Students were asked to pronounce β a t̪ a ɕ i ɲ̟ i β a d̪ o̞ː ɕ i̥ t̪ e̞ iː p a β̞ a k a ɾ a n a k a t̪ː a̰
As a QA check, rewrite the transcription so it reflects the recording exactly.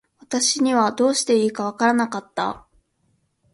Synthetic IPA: β a t̪ a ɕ i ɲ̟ i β a d̪ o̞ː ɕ i̥ t̪ e̞ iː k a β̞ a k a ɾ a n a k a t̪ː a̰